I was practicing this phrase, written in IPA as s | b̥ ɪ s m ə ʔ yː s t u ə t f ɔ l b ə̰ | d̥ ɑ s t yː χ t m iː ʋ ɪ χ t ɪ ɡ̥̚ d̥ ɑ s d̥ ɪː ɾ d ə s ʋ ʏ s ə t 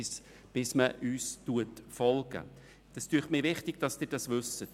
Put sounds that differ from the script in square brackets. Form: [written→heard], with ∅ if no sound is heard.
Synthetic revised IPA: s | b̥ ɪ s m ə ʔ yː s t u ə t f ɔ l [b→ɡ] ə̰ | d̥ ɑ s t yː χ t m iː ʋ ɪ χ t ɪ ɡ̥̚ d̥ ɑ s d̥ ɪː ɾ d [ə→ɑ] s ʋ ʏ s ə t